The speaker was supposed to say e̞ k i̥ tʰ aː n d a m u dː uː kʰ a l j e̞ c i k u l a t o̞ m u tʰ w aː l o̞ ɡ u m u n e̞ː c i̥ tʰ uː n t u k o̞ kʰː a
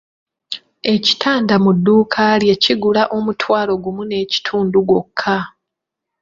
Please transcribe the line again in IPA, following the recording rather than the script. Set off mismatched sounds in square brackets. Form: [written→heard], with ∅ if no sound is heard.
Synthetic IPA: e̞ [k→c] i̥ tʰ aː n d a m u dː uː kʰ a l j e̞ c i [k→ɡ] u l a [t→ʔ] o̞ m u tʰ w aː l o̞ ɡ u m u n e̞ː c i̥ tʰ uː n [t→d] u [k→ɡ] o̞ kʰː a